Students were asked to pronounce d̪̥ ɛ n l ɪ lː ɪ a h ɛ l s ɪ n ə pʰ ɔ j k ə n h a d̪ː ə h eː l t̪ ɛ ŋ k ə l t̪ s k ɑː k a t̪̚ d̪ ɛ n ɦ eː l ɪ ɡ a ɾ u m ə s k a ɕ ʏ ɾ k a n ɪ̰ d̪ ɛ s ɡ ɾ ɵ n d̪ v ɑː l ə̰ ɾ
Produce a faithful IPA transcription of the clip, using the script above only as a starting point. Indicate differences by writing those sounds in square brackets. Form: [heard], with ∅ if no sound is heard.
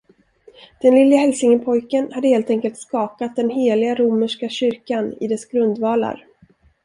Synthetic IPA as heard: d̪̥ ɛ n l ɪ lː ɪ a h ɛ l s ɪ [ŋ] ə pʰ ɔ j k ə n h a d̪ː ə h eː l t̪ ɛ ŋ k ə l t̪ s k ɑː k a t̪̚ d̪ ɛ n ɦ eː l ɪ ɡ a ɾ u m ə [ʂ] k a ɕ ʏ ɾ k a n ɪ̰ d̪ ɛ s ɡ ɾ ɵ n d̪ v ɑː l [a̰] ɾ